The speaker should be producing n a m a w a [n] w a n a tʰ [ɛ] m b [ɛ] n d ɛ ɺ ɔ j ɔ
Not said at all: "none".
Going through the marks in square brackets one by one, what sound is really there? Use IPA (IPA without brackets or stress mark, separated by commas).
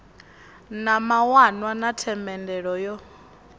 n, ɛ, ɛ